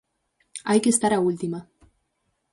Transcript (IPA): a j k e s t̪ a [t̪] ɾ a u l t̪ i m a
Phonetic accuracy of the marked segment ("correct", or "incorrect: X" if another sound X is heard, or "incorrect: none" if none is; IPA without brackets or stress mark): incorrect: none